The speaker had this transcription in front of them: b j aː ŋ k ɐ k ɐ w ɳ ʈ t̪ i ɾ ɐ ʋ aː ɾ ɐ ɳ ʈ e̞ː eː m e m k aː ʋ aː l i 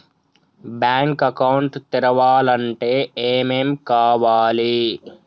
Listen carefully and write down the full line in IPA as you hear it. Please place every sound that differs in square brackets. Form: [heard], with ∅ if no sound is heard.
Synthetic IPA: b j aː ŋ k ɐ k ɐ w ɳ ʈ t̪ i ɾ ɐ ʋ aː [l] ɐ ɳ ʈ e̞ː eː m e m k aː ʋ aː l i